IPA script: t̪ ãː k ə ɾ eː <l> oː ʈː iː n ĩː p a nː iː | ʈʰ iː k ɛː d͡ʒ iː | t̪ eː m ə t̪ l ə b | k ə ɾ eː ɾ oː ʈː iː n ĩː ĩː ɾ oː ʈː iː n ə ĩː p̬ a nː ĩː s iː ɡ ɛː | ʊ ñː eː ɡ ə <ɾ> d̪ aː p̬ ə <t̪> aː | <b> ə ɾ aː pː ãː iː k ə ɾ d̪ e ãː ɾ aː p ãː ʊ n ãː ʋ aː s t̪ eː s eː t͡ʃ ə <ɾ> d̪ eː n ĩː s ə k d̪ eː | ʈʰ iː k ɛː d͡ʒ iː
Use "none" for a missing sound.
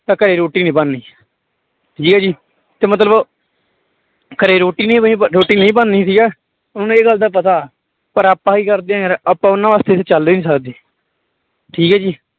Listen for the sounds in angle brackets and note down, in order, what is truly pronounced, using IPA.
ɾ, l, t̪, p, l

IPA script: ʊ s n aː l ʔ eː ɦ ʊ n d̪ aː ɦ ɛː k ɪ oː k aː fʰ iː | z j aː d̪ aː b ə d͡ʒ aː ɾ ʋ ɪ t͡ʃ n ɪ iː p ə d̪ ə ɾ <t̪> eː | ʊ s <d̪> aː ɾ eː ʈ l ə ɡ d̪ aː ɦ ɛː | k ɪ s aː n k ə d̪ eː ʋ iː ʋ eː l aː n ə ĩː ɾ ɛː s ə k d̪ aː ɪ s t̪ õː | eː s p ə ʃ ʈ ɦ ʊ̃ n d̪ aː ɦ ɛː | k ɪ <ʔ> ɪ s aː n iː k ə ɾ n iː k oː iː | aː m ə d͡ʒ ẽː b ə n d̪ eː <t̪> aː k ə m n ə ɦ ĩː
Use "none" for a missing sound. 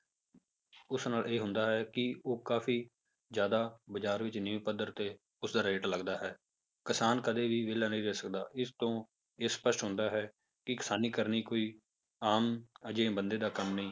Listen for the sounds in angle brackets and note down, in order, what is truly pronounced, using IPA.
t̪, d̪, k, d̪

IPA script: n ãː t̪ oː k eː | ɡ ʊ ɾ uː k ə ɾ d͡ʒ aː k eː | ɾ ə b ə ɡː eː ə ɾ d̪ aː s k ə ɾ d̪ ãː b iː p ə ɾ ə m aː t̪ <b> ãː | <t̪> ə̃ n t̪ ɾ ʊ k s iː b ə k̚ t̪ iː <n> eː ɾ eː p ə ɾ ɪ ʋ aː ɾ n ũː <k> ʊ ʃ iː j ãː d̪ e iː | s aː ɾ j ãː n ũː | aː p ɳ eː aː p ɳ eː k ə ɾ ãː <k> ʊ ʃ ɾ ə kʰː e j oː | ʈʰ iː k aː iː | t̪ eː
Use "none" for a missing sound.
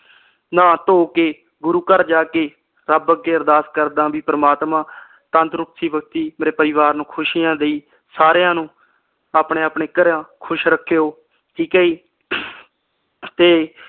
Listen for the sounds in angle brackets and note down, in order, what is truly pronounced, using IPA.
m, t̪, m, kʰ, kʰ

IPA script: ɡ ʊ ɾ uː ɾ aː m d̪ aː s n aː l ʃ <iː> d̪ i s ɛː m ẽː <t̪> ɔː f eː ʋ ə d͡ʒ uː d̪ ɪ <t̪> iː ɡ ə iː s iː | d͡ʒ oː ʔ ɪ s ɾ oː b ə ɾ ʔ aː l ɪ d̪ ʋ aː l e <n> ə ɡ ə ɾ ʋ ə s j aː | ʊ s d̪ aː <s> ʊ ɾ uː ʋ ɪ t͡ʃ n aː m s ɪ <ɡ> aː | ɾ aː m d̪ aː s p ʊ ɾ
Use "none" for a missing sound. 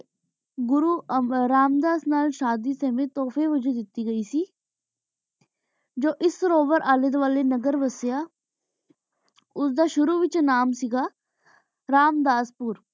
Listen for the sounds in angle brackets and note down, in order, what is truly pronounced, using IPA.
aː, t̪, t̪, n, ʃ, ɡ

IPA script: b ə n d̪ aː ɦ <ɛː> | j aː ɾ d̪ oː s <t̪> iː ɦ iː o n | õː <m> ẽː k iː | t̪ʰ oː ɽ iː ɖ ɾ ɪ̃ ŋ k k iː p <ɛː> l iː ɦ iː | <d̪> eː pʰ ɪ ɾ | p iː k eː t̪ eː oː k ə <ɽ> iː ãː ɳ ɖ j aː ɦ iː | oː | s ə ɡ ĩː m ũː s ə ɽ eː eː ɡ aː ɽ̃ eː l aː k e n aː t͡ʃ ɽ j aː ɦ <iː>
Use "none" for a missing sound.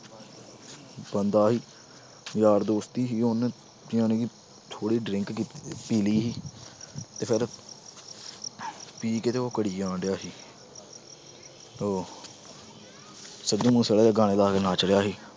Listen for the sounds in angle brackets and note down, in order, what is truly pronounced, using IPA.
iː, t̪, n, iː, t̪, ɽ, iː

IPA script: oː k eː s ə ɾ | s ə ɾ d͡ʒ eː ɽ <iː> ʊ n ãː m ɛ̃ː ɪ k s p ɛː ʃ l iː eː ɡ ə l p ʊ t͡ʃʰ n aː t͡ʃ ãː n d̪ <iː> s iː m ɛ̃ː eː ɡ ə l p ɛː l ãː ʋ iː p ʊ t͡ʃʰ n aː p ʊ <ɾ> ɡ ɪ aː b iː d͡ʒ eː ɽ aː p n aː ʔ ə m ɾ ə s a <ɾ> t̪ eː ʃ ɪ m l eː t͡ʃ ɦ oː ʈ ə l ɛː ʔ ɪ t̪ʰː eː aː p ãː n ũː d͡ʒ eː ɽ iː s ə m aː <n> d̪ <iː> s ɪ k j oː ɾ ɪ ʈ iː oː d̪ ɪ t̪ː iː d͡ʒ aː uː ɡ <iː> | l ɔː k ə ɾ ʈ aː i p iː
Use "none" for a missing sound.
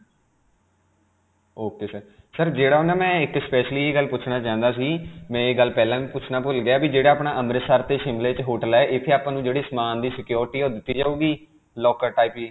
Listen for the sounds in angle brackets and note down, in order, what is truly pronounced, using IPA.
aː, aː, l, ɾ, n, iː, iː

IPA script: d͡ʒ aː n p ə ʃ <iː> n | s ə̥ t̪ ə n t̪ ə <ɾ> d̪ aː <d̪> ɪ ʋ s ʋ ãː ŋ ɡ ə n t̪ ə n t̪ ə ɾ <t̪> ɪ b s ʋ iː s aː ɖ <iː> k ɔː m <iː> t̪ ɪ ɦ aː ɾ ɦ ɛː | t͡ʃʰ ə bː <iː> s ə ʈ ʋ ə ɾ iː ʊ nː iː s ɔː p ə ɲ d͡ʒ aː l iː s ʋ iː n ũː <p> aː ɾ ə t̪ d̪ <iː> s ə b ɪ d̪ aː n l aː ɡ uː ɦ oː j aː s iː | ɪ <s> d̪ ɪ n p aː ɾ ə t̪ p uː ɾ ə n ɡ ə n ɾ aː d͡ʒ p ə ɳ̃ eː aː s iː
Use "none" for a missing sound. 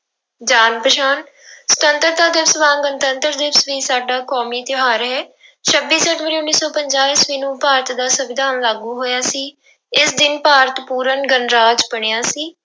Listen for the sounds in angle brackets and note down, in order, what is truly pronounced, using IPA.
aː, ɾ, d̪, d̪, aː, iː, iː, p, aː, s

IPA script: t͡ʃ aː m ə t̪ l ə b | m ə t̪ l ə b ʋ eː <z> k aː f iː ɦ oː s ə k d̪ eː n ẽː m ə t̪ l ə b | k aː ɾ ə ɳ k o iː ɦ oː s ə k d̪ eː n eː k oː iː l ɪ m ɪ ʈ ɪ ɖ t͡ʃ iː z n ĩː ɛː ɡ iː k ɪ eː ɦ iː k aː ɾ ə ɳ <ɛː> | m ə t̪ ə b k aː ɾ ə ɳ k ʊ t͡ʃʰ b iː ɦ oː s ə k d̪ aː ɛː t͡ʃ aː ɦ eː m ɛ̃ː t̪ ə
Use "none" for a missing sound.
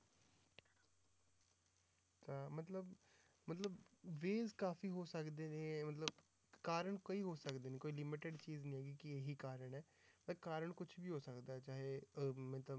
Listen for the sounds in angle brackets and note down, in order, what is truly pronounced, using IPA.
z, ɛː

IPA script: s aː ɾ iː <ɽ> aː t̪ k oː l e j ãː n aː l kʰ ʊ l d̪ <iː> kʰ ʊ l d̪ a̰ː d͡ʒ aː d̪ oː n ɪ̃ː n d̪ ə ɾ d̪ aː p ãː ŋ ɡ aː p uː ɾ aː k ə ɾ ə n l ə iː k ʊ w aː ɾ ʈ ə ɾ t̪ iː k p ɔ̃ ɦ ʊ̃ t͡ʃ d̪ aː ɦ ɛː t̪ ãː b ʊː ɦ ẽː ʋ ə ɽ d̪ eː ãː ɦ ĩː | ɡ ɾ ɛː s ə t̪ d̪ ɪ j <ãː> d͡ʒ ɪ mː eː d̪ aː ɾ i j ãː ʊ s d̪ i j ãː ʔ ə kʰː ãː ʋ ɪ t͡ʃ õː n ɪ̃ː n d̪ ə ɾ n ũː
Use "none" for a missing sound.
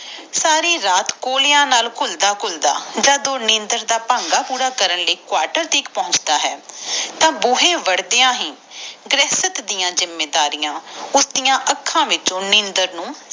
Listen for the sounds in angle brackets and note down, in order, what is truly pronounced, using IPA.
ɾ, aː, ãː

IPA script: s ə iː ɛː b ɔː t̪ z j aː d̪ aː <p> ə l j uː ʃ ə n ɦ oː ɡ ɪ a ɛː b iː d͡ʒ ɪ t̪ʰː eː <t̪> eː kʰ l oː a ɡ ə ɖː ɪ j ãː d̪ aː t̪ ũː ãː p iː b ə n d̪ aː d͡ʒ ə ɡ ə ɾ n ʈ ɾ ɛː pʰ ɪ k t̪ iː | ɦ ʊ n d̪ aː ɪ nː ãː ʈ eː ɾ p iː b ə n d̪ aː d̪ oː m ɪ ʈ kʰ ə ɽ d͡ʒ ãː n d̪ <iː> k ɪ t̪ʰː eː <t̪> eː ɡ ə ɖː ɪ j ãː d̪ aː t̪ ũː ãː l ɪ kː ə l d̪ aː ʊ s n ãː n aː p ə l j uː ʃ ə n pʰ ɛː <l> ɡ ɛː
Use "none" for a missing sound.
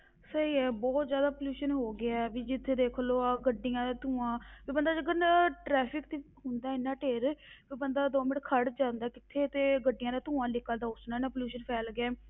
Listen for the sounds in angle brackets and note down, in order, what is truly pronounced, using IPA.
p, d̪, aː, t̪, l

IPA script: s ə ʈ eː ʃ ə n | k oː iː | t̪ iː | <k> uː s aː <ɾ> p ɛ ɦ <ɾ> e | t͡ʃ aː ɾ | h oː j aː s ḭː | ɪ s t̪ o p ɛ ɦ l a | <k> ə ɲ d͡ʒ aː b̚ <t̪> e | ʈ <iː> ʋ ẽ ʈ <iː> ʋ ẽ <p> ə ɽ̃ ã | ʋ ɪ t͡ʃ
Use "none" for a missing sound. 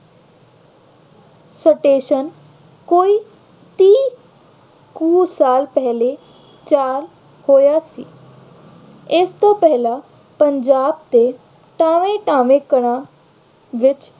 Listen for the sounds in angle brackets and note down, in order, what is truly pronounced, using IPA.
k, l, l, p, t̪, aː, aː, k

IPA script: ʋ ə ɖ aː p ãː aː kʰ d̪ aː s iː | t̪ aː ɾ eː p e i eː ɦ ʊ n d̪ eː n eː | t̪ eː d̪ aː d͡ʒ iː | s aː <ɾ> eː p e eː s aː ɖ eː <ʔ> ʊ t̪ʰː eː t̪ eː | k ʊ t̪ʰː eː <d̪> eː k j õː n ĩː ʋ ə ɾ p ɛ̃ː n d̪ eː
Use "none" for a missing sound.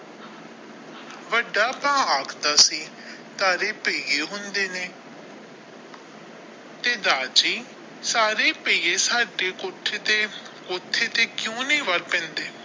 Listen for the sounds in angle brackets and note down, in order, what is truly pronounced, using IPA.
ɾ, k, t̪

